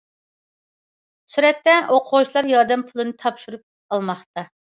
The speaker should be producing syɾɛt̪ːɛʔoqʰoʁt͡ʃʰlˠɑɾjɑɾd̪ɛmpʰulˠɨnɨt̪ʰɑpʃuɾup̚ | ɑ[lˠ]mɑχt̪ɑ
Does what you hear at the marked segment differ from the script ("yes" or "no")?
no